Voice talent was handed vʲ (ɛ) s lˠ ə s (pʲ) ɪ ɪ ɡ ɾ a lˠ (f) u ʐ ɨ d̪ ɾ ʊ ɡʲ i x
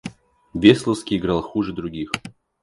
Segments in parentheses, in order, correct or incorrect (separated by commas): incorrect, incorrect, incorrect